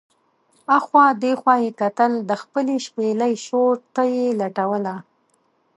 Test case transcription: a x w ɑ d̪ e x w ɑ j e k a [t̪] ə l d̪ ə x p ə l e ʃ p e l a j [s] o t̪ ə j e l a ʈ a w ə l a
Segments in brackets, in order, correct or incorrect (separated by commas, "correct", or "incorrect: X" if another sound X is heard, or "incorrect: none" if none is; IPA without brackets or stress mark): correct, incorrect: ʃ